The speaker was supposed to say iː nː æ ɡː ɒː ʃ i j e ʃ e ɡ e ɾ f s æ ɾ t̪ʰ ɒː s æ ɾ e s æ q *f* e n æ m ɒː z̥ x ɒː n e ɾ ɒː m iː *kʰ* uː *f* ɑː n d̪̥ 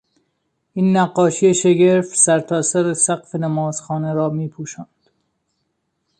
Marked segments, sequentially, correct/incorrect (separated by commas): correct, incorrect, incorrect